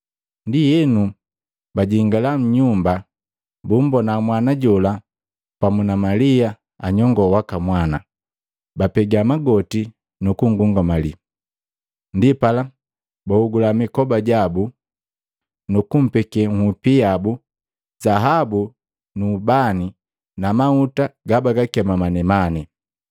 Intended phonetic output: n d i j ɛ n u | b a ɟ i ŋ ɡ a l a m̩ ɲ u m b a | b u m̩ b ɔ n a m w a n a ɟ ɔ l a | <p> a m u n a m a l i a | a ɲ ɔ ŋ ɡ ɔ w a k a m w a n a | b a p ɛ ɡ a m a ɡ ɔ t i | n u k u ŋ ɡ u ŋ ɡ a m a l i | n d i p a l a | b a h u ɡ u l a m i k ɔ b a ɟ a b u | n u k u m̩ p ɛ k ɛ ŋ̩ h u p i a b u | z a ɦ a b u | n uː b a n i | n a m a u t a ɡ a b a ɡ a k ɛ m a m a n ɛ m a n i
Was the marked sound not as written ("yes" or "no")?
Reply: no